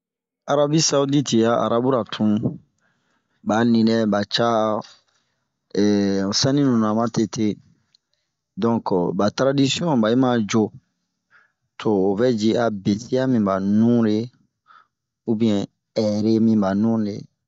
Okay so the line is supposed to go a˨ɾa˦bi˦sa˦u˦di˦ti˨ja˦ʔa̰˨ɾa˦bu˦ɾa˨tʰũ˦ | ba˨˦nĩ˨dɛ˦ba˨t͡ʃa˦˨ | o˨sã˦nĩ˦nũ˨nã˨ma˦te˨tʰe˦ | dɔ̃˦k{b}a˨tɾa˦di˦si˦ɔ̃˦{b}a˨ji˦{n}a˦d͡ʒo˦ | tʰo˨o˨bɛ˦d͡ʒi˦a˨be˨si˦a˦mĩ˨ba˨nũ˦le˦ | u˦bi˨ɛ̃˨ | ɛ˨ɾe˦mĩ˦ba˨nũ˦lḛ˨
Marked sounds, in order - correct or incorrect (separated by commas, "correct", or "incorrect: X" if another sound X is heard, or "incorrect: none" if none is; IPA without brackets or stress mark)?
correct, correct, incorrect: m